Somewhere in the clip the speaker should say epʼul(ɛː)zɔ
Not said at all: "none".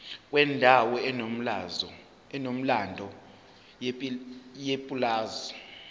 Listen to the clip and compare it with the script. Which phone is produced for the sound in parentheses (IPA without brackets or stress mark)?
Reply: aː